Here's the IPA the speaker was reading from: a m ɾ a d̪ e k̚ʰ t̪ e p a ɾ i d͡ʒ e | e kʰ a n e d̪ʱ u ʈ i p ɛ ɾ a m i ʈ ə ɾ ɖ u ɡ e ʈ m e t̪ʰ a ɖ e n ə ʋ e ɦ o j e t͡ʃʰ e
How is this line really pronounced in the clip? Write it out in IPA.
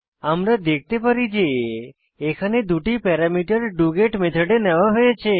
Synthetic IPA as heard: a m ɾ a d̪ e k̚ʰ t̪ e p ə ɾ i d͡ʒ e | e kʰ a n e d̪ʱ u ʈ i p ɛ ɾ a m i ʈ ə ɾ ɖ u ɡ e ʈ m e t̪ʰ ə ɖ e n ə ʋ a ɦ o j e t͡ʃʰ e